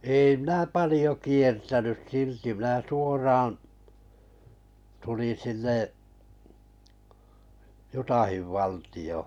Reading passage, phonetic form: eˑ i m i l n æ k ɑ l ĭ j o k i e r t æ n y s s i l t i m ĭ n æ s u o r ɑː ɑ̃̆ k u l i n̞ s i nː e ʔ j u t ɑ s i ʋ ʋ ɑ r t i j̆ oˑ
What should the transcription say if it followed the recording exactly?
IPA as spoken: eˑ i m i n æ p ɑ l ĭ j o k i e r t æ n y s s i l t i m ĭ n æ s u o r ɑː ɑ̃̆ t u l i n̞ s i nː e ʔ j u t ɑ h i ʋ ʋ ɑ l t i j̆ oˑ

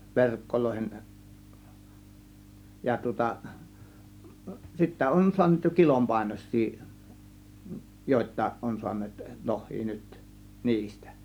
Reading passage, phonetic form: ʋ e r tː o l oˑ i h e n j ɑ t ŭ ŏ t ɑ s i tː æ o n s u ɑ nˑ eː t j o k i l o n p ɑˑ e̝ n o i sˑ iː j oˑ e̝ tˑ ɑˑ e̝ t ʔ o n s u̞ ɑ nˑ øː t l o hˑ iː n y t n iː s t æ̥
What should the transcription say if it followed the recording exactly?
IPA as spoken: ʋ e r kː o l oˑ i h e n j ɑ t ŭ ŏ t ɑ s i tː æ o n s u ɑ nˑ eː t j o k i l o m p ɑˑ e̝ n o i sˑ iː j oˑ e̝ tˑ ɑˑ e̝ ʔ ʔ o n s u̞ ɑ nˑ eː t l o hˑ iː n y t n iː s t æ̥

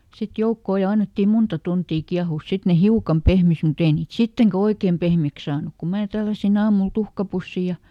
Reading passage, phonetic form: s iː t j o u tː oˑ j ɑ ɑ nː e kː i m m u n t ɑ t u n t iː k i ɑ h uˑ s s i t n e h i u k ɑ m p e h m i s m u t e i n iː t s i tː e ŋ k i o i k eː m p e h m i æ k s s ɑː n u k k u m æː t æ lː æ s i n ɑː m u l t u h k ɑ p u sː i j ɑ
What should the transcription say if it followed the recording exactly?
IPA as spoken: s i t j o u kː oˑ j ɑ ɑ nː e tː i m m u n t ɑ t u n t iː k i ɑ h uˑ s s i t n e h i u k ɑ m p e h m i s m u t e i n iː t s i tː e ŋ k æ o i k eː m p e h m i æ k s s ɑː n u k k u m æː t æ lː æ s i n ɑː m u l t u h k ɑ p u sː i j ɑ

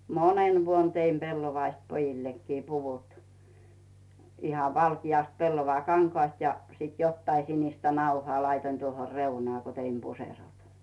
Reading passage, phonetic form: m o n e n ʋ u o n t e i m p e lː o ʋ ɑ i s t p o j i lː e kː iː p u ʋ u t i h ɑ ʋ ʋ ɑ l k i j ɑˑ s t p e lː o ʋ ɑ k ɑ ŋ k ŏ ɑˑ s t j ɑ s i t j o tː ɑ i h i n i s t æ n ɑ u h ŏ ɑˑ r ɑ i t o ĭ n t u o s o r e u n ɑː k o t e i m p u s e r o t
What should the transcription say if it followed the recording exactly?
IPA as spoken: m o n e n ʋ u o n t e i m p e lː o ʋ ɑ i s t p o j i lː e kː iː p u ʋ u t i h ɑ ʋ ʋ ɑ l k i j ɑˑ s t p e lː o ʋ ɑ k ɑ ŋ k ŏ ɑˑ s t j ɑ s i t j o tː ɑ i s i n i s t æ n ɑ u h ŏ ɑˑ l ɑ i t o ĭ n t u o h o r e u n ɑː k o t e i m p u s e r o t

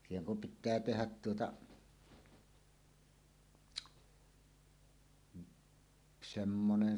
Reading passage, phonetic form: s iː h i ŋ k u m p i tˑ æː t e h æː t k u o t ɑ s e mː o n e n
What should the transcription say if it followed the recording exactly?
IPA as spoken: s iː h e ŋ k u m p i tˑ æː t e h æ t t u o t ɑ s e mː o n e n

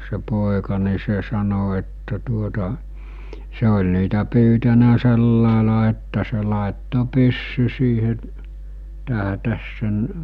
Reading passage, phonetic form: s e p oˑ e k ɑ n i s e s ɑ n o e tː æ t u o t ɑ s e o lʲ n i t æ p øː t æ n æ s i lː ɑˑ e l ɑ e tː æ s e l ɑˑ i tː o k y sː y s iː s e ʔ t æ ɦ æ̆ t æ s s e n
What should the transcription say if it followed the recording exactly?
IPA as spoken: s e p oˑ e k ɑ n i s e s ɑ n o e tː æ t u o t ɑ s e o lʲ n iː t æ p yː t æ n æ s e lː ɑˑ e l ɑ e tː æ s e l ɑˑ e tː o p y sː y s iː h e ʔ t æ ɦ æ̆ t æ s s e n

